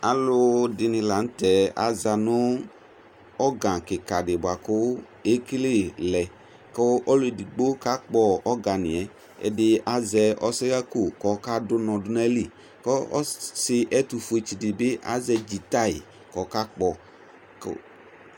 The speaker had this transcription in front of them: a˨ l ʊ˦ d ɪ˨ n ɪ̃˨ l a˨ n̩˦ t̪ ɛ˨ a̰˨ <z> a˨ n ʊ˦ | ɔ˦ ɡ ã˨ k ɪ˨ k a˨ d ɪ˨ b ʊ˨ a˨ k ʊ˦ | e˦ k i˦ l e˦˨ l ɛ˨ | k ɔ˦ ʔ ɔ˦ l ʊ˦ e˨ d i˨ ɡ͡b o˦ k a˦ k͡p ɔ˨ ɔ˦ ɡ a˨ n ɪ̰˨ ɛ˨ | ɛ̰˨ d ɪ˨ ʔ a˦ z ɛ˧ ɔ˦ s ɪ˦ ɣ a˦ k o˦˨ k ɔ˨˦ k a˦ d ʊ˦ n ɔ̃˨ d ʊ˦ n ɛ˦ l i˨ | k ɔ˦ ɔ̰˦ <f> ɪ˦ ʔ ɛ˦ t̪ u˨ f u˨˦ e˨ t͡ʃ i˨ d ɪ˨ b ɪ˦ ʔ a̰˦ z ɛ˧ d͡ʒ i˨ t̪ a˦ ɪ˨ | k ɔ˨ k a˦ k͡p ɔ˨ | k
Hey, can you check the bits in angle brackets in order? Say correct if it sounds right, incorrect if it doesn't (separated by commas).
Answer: correct, incorrect